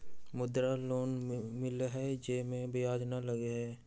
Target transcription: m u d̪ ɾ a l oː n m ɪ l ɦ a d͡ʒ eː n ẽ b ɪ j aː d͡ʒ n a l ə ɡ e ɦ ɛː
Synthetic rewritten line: m ʊ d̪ ɾ a l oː n m ɪ l ɦ ɛ d͡ʒ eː m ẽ b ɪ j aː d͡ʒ n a l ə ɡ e ɦ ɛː